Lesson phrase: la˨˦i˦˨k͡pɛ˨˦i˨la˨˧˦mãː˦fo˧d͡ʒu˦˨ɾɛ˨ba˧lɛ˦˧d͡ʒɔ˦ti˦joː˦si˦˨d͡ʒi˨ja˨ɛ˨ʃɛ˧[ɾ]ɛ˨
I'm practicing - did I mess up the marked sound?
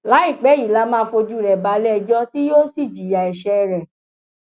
no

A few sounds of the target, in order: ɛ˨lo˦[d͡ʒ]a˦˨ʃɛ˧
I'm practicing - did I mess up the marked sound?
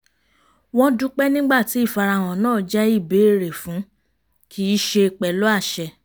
yes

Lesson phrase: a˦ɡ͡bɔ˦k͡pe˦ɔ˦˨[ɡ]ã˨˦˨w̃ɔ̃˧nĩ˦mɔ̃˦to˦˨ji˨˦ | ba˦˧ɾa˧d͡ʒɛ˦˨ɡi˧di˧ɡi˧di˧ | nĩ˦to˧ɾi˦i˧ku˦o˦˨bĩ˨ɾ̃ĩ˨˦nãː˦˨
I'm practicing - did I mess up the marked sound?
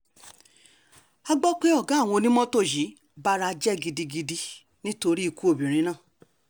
no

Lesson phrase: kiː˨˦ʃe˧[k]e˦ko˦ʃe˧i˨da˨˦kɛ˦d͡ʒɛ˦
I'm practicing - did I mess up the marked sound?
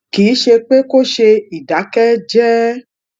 yes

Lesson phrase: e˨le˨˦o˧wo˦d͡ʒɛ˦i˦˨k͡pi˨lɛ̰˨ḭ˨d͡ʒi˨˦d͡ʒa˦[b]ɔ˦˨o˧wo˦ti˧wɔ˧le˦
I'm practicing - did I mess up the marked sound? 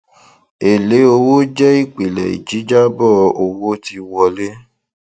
no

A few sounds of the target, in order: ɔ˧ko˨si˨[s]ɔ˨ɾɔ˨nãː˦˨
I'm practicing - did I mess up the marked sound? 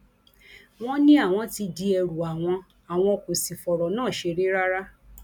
yes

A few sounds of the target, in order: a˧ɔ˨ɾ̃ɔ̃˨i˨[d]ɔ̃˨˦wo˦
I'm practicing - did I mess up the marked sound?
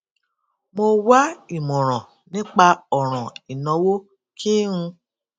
yes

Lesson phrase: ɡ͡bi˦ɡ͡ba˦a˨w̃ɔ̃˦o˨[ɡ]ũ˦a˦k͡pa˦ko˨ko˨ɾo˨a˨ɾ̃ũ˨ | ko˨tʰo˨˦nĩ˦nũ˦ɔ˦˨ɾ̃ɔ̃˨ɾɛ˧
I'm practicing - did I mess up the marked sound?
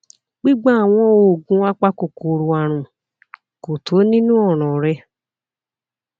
no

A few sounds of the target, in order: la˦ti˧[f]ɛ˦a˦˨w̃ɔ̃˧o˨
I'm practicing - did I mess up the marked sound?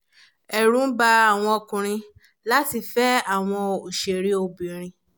no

